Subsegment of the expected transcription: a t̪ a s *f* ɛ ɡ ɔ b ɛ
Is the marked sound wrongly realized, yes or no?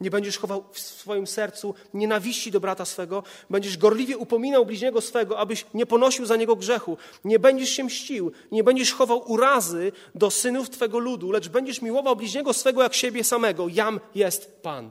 no